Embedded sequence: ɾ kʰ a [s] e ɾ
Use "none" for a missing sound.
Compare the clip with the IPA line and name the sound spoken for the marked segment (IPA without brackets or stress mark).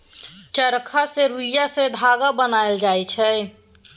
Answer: s